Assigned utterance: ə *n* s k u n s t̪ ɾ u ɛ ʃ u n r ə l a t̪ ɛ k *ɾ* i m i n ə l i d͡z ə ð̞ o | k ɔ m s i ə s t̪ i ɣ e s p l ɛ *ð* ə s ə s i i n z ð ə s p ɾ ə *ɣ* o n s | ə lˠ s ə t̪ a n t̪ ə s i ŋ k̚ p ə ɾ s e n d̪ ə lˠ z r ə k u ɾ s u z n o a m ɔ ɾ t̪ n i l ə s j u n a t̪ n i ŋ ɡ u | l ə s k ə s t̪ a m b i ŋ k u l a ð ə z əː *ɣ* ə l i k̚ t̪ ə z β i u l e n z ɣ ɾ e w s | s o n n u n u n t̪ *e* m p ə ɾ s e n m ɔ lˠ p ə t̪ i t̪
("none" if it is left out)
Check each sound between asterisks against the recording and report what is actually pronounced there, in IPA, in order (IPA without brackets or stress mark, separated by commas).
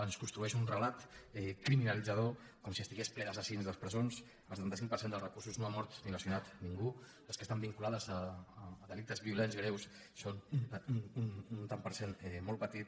n, ɾ, ð, z, ð, a